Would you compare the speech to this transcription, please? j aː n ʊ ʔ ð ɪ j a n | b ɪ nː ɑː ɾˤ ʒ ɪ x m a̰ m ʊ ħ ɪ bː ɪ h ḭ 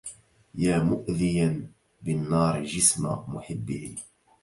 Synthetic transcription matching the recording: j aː m ʊ ʔ ð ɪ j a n | b ɪ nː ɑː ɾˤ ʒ ɪ s m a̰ m ʊ ħ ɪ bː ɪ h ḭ